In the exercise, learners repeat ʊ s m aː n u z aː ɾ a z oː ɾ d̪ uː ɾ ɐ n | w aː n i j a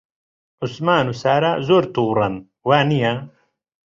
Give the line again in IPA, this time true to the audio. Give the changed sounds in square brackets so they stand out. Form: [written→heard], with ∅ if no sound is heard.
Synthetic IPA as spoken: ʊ s m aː n u [z→s] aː ɾ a z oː ɾ [d̪→t̪] uː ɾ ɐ n | w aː n i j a